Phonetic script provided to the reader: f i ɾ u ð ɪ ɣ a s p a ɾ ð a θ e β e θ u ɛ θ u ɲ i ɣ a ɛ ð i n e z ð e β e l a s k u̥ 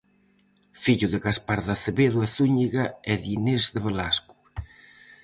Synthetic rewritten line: f i ʎ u ð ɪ ɣ a s p a ɾ ð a θ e β e ð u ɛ θ u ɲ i ɣ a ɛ ð i n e z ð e β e l a s k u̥